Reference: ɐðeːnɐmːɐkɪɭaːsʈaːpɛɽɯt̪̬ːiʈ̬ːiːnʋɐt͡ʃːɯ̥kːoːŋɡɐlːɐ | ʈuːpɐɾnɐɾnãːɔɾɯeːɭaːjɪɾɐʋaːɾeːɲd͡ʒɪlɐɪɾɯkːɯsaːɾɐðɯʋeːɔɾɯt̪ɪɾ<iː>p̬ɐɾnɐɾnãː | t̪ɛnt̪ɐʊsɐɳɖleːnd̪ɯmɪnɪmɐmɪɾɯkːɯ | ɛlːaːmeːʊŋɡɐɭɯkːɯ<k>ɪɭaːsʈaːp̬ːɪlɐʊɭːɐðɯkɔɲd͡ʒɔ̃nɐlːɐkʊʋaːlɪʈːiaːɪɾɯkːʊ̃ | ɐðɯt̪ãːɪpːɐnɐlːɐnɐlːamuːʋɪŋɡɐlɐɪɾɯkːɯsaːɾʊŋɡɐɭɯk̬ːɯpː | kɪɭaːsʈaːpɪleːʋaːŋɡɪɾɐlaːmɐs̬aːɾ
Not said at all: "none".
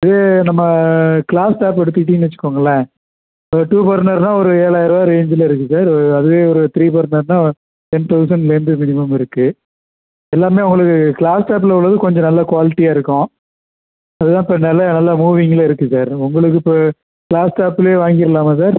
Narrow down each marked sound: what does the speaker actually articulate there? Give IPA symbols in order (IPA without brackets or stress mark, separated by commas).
iː, k